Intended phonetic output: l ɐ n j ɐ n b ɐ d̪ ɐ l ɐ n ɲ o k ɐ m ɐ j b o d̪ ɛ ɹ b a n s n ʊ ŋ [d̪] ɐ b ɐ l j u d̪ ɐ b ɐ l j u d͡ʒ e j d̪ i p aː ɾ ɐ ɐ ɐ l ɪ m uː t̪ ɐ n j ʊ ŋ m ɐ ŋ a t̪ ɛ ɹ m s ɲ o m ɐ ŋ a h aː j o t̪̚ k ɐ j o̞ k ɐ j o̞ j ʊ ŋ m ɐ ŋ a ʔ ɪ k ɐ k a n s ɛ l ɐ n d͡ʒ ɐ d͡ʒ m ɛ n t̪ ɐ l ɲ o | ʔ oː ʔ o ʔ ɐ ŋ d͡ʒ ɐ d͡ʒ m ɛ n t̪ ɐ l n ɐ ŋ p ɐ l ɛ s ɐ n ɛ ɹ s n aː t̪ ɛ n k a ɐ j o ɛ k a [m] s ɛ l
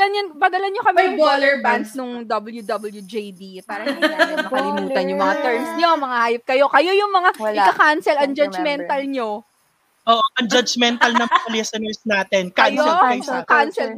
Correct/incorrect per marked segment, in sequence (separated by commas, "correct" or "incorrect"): correct, incorrect